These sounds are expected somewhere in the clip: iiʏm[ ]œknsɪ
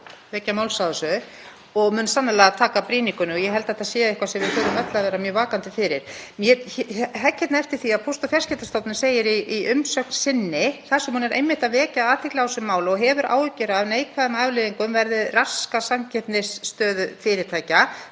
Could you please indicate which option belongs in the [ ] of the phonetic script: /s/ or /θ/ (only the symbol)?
s